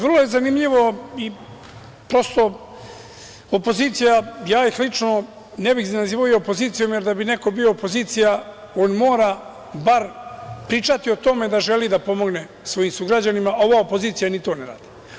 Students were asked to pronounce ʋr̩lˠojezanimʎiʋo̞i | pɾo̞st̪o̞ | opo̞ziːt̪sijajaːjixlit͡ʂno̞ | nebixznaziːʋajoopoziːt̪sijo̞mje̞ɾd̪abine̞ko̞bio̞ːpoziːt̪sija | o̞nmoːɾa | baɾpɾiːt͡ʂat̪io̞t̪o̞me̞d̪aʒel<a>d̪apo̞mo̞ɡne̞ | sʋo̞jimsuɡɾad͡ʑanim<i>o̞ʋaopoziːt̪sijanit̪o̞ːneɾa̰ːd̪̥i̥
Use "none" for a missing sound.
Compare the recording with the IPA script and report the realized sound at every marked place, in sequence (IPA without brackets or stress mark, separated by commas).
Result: i, a